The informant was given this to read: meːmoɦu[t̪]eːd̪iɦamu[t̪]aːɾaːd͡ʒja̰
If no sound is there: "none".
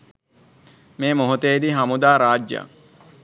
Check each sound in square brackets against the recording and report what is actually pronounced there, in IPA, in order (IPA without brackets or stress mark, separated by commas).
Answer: t̪, d̪